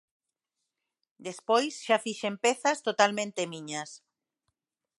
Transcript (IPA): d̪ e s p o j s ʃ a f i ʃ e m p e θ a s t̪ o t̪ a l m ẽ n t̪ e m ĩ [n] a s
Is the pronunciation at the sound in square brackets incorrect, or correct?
incorrect